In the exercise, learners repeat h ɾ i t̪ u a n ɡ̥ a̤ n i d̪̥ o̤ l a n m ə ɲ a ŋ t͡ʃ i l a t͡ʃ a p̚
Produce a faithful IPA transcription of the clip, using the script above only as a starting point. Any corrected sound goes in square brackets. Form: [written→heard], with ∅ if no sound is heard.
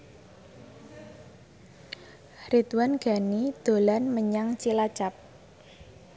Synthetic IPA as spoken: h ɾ i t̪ [u→w] a n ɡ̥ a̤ n i d̪̥ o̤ l a n m ə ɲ a ŋ t͡ʃ i l a t͡ʃ a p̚